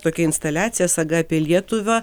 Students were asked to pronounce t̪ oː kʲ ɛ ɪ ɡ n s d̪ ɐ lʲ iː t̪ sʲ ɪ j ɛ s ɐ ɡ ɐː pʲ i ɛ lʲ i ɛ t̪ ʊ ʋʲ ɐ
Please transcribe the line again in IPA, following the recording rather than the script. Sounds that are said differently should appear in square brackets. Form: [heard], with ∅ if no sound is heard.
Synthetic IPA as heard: t̪ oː kʲ ɛ ɪ [∅] n s [t̪] ɐ lʲ [æː] t̪ sʲ ɪ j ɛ s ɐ ɡ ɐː pʲ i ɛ lʲ i ɛ t̪ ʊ ʋʲ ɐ